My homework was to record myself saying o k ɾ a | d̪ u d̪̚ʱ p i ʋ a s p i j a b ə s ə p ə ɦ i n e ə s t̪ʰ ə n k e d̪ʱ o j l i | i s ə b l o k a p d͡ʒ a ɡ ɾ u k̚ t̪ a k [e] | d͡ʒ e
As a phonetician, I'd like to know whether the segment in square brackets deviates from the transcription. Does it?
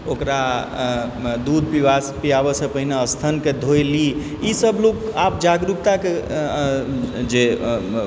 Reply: no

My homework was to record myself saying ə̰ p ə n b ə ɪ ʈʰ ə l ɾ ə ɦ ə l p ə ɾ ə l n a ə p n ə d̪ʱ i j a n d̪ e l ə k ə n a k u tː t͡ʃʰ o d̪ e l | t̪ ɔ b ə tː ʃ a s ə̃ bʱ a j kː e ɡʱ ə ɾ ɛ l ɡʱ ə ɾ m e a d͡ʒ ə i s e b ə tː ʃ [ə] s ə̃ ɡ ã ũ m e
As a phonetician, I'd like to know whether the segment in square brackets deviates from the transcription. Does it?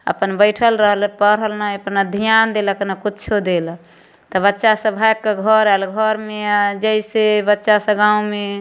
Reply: yes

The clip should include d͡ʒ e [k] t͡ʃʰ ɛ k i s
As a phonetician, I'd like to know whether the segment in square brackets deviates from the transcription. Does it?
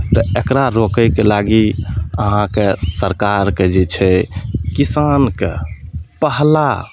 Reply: yes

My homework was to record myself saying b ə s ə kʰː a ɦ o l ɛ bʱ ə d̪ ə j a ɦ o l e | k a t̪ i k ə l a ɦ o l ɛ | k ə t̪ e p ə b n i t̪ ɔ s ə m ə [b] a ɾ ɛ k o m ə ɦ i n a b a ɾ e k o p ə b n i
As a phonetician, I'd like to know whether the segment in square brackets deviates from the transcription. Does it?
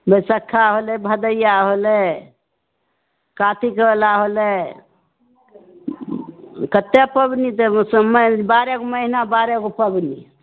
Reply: no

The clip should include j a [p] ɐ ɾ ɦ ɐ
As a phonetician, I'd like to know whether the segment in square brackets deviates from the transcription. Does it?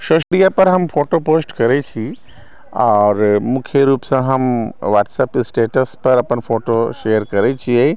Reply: no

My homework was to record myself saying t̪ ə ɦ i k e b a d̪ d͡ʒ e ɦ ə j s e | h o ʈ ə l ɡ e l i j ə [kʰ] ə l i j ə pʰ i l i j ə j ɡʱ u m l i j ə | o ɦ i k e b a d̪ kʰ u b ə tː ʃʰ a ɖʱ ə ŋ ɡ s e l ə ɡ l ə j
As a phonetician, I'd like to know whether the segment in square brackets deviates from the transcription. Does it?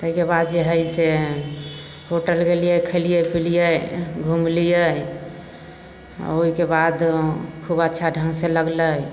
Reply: no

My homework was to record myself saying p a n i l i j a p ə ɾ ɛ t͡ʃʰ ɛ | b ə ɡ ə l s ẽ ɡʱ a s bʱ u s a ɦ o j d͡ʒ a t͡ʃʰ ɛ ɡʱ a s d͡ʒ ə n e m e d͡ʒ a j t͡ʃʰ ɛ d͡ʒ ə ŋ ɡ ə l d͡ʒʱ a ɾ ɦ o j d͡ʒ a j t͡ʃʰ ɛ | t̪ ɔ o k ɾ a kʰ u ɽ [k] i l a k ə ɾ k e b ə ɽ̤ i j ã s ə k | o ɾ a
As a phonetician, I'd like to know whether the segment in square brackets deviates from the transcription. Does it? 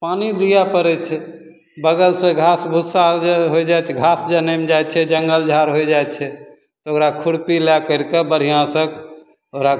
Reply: yes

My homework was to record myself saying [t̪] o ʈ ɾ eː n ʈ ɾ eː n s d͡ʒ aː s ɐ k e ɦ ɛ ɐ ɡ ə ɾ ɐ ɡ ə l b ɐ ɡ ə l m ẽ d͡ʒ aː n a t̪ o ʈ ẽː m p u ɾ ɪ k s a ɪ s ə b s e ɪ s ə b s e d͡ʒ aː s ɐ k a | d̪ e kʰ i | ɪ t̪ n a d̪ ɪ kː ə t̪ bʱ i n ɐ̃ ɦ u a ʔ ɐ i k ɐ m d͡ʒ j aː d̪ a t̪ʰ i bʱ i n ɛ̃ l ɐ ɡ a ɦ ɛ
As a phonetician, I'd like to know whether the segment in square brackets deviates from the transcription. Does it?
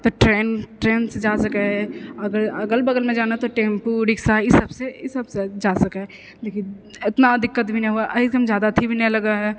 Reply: no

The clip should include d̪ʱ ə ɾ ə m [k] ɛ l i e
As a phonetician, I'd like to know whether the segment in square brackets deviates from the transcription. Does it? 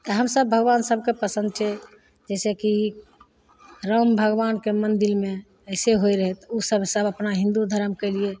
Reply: no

